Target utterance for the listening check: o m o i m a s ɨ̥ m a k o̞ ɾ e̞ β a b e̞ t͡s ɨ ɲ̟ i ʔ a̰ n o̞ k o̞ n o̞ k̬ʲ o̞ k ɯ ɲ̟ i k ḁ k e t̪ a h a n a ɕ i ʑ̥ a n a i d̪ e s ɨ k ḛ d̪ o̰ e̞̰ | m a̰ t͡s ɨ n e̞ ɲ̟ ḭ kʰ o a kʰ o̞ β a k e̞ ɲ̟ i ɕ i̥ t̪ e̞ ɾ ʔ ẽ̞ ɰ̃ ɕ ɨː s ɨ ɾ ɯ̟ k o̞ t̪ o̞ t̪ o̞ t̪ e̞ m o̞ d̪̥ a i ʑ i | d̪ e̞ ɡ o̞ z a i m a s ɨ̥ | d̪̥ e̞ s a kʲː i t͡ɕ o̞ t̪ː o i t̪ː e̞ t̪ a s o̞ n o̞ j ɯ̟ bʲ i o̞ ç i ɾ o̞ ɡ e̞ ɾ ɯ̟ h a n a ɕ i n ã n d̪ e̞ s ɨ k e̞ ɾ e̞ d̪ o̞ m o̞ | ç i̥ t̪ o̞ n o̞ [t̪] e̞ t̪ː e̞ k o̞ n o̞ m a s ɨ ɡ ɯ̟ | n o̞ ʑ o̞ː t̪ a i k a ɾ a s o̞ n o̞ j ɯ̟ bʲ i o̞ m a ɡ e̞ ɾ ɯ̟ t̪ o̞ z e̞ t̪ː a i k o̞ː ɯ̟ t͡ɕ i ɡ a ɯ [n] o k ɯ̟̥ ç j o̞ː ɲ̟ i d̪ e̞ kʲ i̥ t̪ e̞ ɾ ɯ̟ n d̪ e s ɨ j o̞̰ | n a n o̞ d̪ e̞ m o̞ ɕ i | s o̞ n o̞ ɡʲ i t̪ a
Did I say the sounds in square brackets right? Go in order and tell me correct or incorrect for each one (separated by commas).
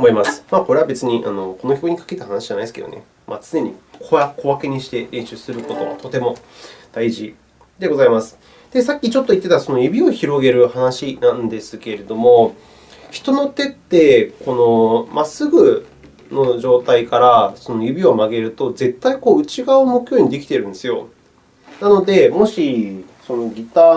correct, incorrect